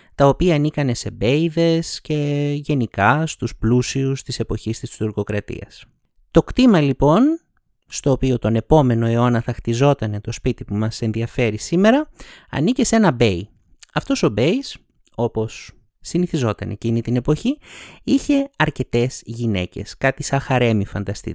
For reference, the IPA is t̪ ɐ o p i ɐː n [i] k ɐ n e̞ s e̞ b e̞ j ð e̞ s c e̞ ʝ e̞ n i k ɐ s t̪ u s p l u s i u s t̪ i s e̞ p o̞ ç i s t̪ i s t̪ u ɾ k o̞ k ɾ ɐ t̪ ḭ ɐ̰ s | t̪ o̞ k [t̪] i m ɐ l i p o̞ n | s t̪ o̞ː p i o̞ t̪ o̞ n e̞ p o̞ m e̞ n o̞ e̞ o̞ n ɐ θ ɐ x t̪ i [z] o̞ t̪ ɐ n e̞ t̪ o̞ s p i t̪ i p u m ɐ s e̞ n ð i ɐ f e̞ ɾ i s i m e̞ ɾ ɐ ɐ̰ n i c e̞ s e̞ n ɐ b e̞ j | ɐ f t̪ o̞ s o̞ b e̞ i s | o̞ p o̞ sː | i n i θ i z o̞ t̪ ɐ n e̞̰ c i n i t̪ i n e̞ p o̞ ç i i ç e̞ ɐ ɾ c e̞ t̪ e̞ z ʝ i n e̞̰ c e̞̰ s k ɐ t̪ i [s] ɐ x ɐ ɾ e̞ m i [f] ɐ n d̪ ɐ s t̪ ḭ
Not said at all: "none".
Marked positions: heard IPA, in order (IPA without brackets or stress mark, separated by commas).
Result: i, t̪, z, s, f